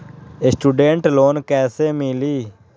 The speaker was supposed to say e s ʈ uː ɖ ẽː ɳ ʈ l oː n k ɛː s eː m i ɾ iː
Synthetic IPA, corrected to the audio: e s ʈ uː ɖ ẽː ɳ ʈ l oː n k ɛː s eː m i l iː